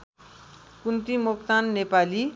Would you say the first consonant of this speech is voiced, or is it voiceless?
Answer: voiceless